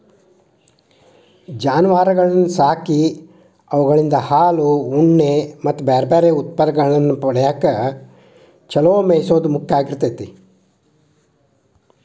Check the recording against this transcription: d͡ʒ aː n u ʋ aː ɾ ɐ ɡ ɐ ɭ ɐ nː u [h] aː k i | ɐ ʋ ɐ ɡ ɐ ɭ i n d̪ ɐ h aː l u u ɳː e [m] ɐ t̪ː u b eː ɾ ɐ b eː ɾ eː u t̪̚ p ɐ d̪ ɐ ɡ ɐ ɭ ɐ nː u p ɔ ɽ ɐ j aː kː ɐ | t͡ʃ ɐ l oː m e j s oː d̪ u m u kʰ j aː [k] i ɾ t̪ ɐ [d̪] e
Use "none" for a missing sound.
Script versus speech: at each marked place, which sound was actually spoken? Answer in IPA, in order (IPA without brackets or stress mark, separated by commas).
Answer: s, m, ɡ, t̪